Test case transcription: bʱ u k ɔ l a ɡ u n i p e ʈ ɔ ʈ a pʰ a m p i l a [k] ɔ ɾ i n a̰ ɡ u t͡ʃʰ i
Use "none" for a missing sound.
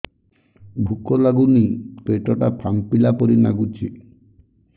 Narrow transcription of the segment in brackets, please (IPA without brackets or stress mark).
p